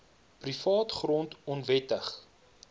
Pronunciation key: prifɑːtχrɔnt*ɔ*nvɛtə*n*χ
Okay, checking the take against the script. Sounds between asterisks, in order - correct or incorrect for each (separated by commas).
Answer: correct, incorrect